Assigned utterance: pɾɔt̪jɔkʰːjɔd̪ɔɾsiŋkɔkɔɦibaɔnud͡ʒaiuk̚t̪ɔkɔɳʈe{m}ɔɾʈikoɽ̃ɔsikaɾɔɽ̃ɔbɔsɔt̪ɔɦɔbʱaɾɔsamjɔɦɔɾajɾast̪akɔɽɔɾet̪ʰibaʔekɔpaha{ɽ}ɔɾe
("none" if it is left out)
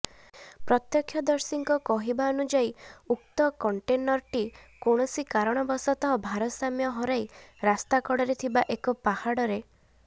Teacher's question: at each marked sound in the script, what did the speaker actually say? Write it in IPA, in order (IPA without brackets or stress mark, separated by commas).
n, ɽ